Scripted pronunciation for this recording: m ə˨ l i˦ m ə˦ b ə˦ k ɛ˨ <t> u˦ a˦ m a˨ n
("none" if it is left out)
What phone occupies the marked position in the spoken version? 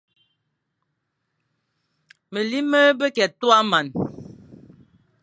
t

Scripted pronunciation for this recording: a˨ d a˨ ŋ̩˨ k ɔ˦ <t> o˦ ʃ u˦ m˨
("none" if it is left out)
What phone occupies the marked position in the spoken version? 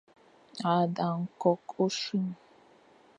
k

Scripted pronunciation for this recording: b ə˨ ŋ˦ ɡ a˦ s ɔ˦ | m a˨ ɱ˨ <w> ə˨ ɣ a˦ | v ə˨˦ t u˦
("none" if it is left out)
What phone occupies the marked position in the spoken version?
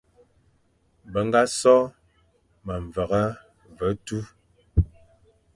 v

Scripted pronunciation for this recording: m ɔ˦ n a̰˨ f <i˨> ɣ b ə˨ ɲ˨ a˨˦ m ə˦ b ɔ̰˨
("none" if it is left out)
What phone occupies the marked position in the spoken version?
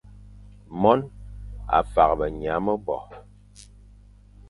a˨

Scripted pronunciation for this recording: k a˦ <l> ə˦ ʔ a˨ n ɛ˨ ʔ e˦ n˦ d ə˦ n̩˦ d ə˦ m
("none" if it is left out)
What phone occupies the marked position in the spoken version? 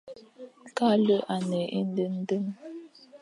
l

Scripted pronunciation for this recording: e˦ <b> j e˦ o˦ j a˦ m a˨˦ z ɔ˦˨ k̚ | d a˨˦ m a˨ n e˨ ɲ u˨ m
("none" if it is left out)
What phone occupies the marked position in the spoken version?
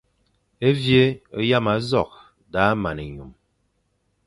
v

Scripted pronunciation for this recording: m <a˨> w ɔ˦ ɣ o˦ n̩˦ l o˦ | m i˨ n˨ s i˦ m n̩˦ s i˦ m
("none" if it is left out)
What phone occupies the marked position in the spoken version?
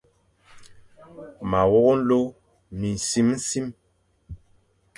a˨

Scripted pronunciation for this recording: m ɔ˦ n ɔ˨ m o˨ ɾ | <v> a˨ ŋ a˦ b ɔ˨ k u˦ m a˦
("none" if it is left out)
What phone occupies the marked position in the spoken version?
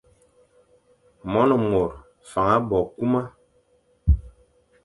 f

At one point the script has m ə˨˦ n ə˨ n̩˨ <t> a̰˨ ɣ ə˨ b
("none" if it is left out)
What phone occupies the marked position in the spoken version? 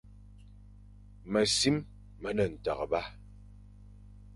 t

